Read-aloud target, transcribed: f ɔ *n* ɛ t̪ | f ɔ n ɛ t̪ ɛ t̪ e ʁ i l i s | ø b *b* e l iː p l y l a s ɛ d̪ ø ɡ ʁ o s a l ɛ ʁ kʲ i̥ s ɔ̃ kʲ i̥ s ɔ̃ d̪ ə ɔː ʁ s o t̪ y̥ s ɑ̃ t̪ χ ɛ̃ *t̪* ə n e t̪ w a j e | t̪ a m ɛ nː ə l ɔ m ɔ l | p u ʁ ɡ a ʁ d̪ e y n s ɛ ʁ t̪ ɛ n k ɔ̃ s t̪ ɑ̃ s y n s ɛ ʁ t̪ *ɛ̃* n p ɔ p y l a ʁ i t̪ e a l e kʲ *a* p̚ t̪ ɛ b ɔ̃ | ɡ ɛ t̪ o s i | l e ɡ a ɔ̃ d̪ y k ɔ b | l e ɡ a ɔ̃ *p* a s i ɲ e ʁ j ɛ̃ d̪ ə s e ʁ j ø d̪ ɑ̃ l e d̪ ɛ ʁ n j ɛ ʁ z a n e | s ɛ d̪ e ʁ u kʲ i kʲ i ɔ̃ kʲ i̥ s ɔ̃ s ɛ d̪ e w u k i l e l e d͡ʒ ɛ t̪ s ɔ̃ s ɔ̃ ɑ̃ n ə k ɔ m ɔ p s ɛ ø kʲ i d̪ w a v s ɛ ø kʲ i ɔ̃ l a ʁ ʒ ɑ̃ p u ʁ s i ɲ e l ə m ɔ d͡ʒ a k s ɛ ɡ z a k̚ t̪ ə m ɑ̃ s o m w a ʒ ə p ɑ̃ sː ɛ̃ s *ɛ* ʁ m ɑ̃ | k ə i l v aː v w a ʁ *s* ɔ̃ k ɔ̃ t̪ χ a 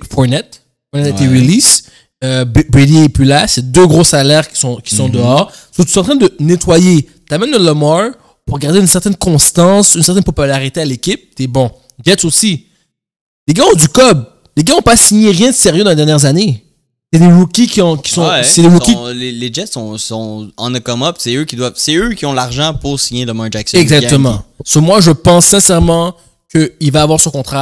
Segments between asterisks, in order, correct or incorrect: correct, correct, incorrect: d̪, incorrect: ɛ, incorrect: i, correct, correct, correct

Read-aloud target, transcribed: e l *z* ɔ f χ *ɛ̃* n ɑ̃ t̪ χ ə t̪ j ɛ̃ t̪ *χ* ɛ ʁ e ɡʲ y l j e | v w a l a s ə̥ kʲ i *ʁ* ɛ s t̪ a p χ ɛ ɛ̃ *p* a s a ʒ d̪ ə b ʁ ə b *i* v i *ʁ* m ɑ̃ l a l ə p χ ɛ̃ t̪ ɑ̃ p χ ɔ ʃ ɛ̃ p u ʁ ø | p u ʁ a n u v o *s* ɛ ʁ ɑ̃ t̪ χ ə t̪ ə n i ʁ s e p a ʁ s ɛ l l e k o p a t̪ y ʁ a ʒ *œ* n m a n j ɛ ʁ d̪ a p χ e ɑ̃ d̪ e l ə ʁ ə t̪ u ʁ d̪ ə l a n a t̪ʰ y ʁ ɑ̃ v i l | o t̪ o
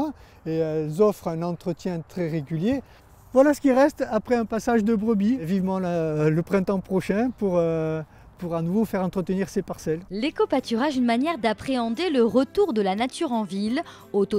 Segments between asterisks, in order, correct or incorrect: correct, correct, correct, correct, correct, correct, incorrect: v, incorrect: f, incorrect: y

